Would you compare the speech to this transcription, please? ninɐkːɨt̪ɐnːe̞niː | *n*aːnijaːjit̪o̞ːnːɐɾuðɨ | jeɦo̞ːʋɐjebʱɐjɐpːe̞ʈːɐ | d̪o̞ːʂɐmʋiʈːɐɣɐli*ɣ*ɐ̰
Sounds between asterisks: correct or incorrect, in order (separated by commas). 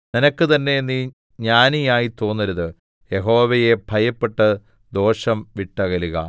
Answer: incorrect, correct